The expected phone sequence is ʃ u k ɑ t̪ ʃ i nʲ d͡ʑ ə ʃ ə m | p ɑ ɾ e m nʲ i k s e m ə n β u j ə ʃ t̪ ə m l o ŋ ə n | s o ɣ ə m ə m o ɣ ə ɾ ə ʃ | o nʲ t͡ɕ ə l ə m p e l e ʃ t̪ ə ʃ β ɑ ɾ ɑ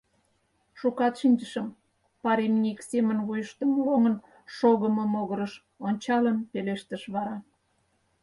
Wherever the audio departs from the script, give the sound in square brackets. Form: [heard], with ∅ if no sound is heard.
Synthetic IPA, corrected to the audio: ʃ u k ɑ t̪ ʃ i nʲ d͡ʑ ə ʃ ə m | p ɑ ɾ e m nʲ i k s e m ə n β u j ə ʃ t̪ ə m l o ŋ ə n | [ʃ] o ɣ ə m ə m o ɣ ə ɾ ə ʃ | o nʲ t͡ɕ [ɑ] l ə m p e l e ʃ t̪ ə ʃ β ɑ ɾ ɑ